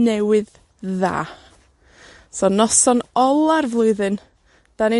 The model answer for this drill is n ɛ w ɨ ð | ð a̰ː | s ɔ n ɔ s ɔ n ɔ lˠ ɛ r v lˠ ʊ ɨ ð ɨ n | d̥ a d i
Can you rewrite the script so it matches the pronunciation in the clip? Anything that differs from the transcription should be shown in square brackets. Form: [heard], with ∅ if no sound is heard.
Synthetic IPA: n ɛ w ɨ ð | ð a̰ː | s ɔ n ɔ s ɔ n ɔ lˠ [a] r v lˠ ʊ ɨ ð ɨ n | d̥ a [n] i